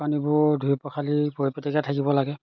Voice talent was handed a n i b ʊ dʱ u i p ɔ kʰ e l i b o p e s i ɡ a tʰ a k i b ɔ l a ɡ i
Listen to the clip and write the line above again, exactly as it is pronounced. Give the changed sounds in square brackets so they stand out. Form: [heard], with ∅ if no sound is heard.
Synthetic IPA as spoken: a n i b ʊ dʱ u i p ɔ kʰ [a] l i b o p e [t] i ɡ a tʰ a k i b ɔ l a ɡ [ɛ]